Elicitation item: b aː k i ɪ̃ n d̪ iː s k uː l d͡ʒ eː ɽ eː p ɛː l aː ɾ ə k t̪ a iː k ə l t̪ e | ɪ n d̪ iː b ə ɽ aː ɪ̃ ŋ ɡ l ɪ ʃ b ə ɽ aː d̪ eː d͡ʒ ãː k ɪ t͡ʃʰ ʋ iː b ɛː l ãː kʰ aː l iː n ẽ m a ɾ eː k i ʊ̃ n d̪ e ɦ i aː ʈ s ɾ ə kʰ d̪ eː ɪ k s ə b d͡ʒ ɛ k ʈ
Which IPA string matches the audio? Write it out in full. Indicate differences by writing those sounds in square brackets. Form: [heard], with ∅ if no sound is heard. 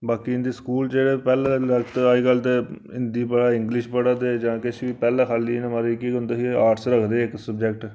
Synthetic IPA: b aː k i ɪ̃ n d̪ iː s k uː l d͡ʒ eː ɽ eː p ɛː l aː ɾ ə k t̪ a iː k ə l t̪ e | ɪ n d̪ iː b ə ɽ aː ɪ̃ ŋ ɡ l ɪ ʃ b ə ɽ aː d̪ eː d͡ʒ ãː k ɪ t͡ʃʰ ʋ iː [p] ɛː l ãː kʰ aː l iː n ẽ m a ɾ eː k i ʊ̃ n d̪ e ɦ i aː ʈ s ɾ ə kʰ d̪ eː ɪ k s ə b d͡ʒ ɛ k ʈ